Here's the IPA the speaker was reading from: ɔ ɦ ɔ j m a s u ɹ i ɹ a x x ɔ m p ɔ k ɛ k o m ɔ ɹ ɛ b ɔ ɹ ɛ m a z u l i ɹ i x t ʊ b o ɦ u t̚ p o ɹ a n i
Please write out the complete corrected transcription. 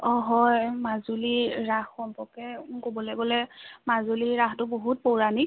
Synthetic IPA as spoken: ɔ ɦ ɔ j m a z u l i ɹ a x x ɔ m p ɔ k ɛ k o b ɔ l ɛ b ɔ l ɛ m a z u l i ɹ a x t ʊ b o ɦ u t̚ p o ɹ a n i